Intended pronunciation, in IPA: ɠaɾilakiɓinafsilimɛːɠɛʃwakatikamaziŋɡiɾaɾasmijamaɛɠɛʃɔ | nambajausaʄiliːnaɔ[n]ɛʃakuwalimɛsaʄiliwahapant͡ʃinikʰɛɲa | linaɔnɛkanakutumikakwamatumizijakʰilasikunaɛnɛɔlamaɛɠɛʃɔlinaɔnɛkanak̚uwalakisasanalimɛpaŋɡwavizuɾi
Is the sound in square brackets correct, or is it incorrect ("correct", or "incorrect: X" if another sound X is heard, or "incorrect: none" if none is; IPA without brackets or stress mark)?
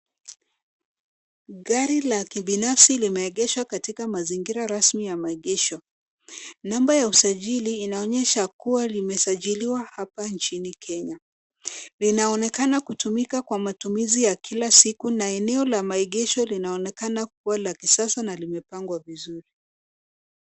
incorrect: ɲ